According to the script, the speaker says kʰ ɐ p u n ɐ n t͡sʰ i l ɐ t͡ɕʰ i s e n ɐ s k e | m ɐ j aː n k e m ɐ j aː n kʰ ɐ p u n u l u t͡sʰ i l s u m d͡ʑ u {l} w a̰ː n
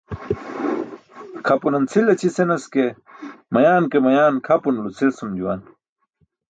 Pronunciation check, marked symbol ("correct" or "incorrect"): incorrect